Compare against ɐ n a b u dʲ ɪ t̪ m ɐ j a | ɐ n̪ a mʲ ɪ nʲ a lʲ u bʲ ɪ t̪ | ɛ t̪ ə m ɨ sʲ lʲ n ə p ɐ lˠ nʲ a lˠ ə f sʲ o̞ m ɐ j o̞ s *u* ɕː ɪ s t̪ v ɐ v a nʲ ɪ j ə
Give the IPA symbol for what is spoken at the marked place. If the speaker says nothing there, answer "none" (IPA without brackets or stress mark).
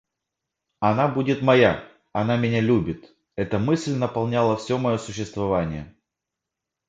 ʊ